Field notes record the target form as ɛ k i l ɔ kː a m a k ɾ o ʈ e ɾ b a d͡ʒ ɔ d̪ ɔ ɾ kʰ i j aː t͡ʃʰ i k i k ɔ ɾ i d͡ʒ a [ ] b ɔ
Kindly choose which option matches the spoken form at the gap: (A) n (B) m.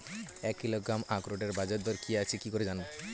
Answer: A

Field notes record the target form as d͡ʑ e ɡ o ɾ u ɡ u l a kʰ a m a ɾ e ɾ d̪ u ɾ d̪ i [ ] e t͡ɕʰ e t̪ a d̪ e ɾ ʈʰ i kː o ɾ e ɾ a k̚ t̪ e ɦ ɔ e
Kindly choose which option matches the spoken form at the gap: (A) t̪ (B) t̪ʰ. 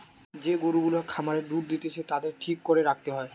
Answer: A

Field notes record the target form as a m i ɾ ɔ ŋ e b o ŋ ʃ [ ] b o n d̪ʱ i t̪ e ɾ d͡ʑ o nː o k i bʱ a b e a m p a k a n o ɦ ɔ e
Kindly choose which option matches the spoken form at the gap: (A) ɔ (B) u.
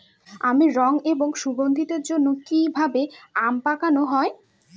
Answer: B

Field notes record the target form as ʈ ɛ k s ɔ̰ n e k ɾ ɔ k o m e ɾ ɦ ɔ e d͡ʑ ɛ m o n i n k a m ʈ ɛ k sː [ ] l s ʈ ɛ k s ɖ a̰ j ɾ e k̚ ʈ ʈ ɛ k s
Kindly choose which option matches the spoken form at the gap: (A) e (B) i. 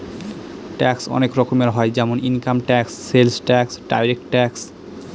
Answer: A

